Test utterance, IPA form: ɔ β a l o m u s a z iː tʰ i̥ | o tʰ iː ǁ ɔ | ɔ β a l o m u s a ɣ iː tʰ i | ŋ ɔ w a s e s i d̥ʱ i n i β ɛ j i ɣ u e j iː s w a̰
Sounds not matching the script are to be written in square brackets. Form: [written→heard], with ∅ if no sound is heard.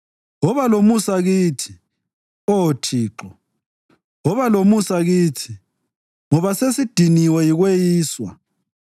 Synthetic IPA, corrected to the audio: ɔ β a l o m u s a [z→ɣ] iː tʰ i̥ | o tʰ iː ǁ ɔ | ɔ β a l o m u s a ɣ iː tʰ i | ŋ ɔ [w→β] a s e s i d̥ʱ i n i [β→w] ɛ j i ɣ [u→w] e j iː s w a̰

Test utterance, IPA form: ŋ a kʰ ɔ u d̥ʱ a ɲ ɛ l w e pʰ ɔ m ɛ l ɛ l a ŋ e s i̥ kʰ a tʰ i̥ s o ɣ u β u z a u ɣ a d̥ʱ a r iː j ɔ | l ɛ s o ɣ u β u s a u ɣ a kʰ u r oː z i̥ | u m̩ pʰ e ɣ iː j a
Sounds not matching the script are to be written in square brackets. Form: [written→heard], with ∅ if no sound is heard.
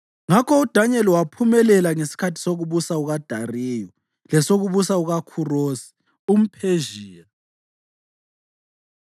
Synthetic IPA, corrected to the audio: ŋ a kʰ ɔ u d̥ʱ a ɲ ɛ l w [e→a] pʰ [ɔ→u] m ɛ l ɛ l a ŋ e s i̥ kʰ a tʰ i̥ s o ɣ u β u [z→s] a u ɣ a d̥ʱ a r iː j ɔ | l ɛ s o ɣ u β u s a u ɣ a kʰ u r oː [z→s] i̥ | u m̩ pʰ e [ɣ→ʒ] iː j a

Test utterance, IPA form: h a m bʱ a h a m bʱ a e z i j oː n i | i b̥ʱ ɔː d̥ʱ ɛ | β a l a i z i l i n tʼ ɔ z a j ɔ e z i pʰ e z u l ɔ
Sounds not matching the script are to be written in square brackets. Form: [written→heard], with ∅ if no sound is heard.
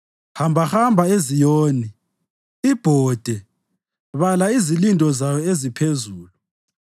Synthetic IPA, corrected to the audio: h a m bʱ a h a m bʱ a e z i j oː n i | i b̥ʱ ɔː d̥ʱ ɛ | β a l a i z i l i n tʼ ɔ z a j ɔ e z i pʰ e z [u→uː] l [ɔ→u]

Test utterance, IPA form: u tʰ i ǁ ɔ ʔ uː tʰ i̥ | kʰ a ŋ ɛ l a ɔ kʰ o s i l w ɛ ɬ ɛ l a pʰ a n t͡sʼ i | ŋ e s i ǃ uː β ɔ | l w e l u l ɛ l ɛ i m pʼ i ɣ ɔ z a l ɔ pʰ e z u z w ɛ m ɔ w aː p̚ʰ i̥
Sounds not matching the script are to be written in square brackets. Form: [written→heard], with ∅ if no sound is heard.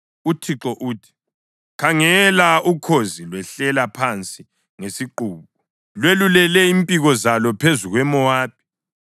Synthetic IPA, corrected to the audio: u tʰ i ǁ ɔ ʔ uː tʰ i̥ | kʰ a ŋ ɛ l a [ɔ→u] kʰ o [s→z] i l w ɛ ɬ ɛ l a pʰ a n t͡sʼ i | ŋ e s i ǃ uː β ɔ | l w e l u l ɛ l ɛ i m pʼ i ɣ ɔ z a l ɔ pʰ e z u [z→ɣ] w ɛ m ɔ w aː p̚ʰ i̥

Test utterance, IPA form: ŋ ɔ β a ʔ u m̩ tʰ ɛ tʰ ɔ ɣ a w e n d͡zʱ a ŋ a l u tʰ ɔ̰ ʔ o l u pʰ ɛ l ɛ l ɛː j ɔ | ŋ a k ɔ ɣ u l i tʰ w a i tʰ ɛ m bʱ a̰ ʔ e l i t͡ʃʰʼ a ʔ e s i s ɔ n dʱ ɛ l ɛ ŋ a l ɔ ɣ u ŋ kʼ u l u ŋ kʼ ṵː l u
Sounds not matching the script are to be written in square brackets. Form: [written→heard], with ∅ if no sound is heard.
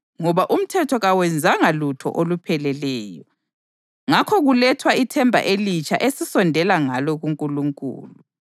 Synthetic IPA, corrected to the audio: ŋ ɔ β a ʔ u m̩ tʰ ɛ tʰ ɔ ɣ a w [e→ɛ] n d͡zʱ a ŋ a l u tʰ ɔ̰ ʔ o l u pʰ ɛ l ɛ l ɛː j ɔ | ŋ a [k→kʰ] ɔ ɣ u l [i→ɛ] tʰ w a i tʰ ɛ m bʱ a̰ ʔ e l i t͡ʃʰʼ a ʔ e s i s ɔ n dʱ ɛ l [ɛ→a] ŋ a l ɔ ɣ u ŋ kʼ u l u ŋ kʼ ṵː l u

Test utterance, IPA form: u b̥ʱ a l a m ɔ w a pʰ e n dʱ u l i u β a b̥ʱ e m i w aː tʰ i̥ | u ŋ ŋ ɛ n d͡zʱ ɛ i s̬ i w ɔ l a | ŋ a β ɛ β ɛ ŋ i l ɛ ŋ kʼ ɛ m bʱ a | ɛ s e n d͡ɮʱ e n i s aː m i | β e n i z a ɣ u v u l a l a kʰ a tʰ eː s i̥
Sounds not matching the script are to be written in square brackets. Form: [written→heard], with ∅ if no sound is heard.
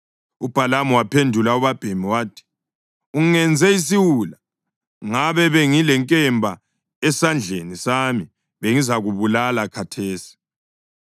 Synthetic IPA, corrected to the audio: u b̥ʱ a l a m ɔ w a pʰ e n dʱ u l [i→a] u β a b̥ʱ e m i w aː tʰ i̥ | u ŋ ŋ ɛ n d͡zʱ ɛ i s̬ i w [ɔ→u] l a | ŋ a β ɛ β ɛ ŋ i l ɛ ŋ kʼ ɛ m bʱ a | ɛ s [e→a] n d͡ɮʱ e n i s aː m i | β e [n→ŋ] i z a ɣ u [v→β] u l a l a kʰ a tʰ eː s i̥

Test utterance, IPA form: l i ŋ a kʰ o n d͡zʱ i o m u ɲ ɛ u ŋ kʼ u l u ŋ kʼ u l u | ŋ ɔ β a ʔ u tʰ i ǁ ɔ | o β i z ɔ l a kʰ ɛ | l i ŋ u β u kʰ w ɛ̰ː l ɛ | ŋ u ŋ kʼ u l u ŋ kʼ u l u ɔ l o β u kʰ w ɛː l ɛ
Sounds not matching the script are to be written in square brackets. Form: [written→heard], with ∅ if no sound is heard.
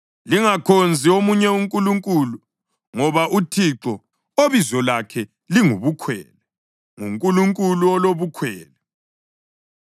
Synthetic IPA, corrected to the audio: l i ŋ a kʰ o n d͡zʱ i o m u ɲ ɛ u ŋ kʼ u l u ŋ kʼ u l u | ŋ ɔ β a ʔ u tʰ i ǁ ɔ | o β i z ɔ l a kʰ ɛ | l i ŋ u β u kʰ w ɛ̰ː l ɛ | ŋ u ŋ kʼ u l u ŋ kʼ u l u ɔ l o β u kʰ w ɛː l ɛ

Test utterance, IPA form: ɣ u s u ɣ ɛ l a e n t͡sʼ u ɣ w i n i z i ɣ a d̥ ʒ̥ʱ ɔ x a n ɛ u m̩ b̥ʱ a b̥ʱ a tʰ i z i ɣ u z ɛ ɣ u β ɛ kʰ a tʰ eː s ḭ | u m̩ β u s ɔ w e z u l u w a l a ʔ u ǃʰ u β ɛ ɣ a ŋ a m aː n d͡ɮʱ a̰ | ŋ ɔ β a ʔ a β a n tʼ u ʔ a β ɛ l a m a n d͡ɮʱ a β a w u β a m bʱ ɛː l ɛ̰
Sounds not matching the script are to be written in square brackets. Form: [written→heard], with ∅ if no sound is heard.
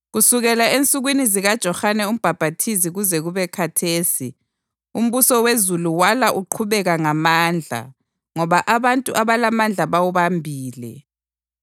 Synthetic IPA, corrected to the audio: ɣ u s u ɣ ɛ l a e n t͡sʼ u ɣ w i n i z i ɣ a d̥ ʒ̥ʱ ɔ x a n ɛ u m̩ b̥ʱ a b̥ʱ a tʰ i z i ɣ u z ɛ ɣ u β ɛ kʰ a tʰ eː s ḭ | u m̩ β u s ɔ w e z u l u w a l a ʔ u ǃʰ u β ɛ ɣ a ŋ a m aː n d͡ɮʱ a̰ | ŋ ɔ β a ʔ a β a n tʼ u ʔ a β [ɛ→a] l a m a n d͡ɮʱ a β a w u β a m bʱ [ɛː→iː] l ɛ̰

